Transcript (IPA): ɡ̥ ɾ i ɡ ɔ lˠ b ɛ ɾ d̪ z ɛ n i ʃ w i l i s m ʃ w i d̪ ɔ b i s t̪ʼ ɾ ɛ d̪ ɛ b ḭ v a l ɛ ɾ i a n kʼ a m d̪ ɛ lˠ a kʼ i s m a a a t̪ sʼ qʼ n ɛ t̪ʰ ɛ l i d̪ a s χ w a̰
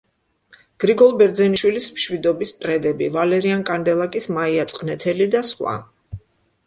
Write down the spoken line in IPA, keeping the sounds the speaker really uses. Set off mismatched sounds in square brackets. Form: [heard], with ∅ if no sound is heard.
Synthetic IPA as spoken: ɡ̥ ɾ i ɡ ɔ lˠ b ɛ ɾ d̪ z ɛ n i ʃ w i l i s m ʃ w i d̪ ɔ b i s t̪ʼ ɾ ɛ d̪ ɛ b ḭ v a l ɛ ɾ i a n kʼ a [n] d̪ ɛ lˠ a kʼ i s m a [i] a t̪ sʼ qʼ n ɛ t̪ʰ ɛ l i d̪ a s χ w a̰